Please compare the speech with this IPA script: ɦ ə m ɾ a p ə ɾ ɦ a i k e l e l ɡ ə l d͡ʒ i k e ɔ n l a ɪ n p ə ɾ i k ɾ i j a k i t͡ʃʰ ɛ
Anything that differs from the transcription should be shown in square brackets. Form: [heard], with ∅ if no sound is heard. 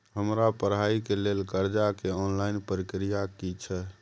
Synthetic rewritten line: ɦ ə m ɾ a p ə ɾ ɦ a i k e l e l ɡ ə [ɾ] d͡ʒ [a] k e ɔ n l a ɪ n p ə ɾ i k ɾ i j a k i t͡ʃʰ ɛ

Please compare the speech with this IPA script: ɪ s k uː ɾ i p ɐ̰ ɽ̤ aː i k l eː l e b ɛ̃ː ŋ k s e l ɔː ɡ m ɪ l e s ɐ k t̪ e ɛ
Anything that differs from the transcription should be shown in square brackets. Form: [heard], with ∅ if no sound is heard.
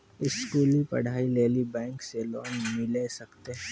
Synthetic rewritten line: ɪ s k uː [l] i p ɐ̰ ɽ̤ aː i [∅] l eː l [i] b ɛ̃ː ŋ k s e l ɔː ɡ m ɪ l e s ɐ k t̪ e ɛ

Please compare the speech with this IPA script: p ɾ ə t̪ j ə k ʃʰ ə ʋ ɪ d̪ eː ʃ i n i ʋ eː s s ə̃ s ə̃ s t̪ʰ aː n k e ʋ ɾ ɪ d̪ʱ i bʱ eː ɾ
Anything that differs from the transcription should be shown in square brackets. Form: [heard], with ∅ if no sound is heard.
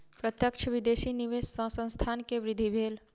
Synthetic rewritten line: p ɾ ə t̪ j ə k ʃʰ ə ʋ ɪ d̪ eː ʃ i n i ʋ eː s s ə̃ s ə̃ s t̪ʰ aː n k e ʋ ɾ ɪ d̪ʱ i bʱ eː [l]

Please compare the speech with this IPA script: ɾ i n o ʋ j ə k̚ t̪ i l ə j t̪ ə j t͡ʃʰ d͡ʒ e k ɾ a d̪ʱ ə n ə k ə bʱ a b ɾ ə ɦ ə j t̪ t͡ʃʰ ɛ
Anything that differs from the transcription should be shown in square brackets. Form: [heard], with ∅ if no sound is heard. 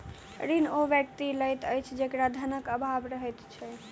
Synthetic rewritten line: ɾ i n o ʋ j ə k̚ t̪ i l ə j t̪ ə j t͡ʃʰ d͡ʒ e k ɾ a d̪ʱ ə n ə k ə bʱ a b ɾ ə ɦ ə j t̪ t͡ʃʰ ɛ

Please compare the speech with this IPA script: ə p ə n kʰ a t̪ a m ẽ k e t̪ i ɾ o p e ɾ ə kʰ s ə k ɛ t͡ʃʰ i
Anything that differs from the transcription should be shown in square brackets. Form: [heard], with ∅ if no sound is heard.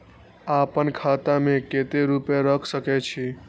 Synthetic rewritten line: [a] p ə n kʰ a t̪ a m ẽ k e t̪ [e] ɾ [u] p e ɾ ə kʰ s ə k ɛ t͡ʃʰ i

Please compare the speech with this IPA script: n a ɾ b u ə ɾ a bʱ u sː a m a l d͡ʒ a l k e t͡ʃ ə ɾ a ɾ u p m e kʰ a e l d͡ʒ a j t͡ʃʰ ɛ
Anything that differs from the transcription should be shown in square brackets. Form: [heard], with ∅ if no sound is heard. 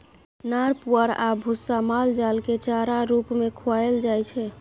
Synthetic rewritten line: n a ɾ [p] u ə ɾ a bʱ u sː a m a l d͡ʒ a l k e t͡ʃ [a] ɾ a ɾ u p m e kʰ a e l d͡ʒ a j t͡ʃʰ ɛ

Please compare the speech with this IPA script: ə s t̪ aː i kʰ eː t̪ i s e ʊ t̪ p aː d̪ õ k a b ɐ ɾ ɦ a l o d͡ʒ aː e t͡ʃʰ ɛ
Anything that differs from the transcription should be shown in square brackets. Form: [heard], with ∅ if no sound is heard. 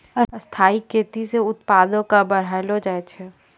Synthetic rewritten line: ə s [t̪ʰ] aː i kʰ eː t̪ i s e ʊ t̪ p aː d̪ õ k a b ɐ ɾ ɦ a l o d͡ʒ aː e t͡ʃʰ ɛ

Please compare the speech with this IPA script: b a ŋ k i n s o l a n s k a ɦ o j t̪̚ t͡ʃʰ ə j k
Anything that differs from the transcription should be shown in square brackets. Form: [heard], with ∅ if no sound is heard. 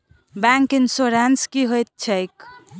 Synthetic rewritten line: b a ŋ k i n s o [ɾ] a n s k [i] ɦ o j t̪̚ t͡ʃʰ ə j k

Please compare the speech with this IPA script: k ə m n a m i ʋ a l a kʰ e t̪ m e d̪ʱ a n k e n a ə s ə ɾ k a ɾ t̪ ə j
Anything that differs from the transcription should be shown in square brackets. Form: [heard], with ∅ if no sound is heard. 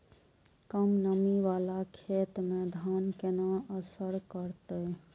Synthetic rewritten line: k ə m n [ə] m i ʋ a l a kʰ e t̪ m e d̪ʱ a n k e n a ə s ə ɾ k [ə] ɾ t̪ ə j

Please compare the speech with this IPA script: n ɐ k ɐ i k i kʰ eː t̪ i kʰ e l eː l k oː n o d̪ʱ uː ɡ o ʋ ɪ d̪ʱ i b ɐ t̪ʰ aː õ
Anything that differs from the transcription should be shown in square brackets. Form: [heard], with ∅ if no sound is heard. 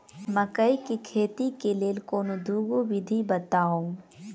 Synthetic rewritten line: [m] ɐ k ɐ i k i kʰ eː t̪ i [k] e l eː l k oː n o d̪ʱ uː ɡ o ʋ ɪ d̪ʱ i b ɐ [t̪] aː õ

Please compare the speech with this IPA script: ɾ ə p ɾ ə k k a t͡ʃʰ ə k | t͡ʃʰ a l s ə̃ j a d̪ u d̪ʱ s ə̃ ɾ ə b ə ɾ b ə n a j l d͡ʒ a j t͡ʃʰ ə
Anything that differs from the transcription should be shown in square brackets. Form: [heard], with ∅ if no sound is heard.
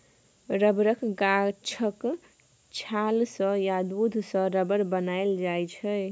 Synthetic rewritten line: ɾ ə [b] ɾ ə k [ɡ] a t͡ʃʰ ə k | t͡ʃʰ a l s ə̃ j a d̪ u d̪ʱ s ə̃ ɾ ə b ə ɾ b ə n a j l d͡ʒ a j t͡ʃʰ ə

